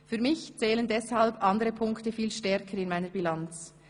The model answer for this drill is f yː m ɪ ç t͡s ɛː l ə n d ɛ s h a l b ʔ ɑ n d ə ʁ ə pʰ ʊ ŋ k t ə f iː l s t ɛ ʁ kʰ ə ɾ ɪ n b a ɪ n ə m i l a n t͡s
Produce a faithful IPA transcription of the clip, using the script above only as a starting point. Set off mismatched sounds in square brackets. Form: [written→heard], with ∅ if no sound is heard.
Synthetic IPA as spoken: f yː m ɪ ç t͡s ɛː l ə n d ɛ s h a l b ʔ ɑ n d ə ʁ ə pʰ ʊ ŋ k t ə f iː l [s→ʃ] t ɛ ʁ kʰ ə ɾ ɪ n [b→m] a ɪ n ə [m→b] i l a n t͡s